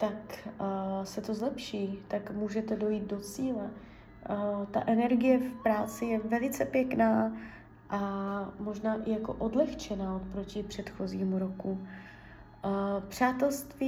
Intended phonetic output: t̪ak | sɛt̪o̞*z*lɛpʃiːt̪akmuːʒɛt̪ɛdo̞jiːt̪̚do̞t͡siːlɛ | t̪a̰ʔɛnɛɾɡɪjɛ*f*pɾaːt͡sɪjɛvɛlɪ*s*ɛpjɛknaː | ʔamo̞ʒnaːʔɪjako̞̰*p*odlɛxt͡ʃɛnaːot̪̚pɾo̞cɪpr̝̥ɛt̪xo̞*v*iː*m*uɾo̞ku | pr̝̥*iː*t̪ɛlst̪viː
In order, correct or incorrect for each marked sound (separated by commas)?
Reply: correct, correct, incorrect, incorrect, incorrect, correct, incorrect